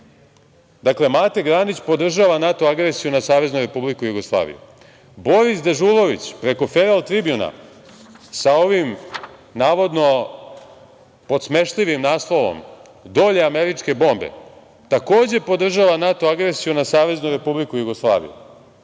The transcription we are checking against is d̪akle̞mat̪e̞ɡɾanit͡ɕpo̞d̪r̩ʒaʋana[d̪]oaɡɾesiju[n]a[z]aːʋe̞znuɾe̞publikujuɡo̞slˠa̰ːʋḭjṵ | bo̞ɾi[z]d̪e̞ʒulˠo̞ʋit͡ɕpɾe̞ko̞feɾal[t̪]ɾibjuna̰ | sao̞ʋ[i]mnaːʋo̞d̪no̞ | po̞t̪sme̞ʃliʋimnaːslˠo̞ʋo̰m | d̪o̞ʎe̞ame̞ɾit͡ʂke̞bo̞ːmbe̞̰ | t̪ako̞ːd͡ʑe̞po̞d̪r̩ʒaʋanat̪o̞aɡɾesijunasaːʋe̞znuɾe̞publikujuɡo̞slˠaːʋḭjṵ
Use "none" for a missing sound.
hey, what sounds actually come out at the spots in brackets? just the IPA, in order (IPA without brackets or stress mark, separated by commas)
t̪, n, s, s, t̪, i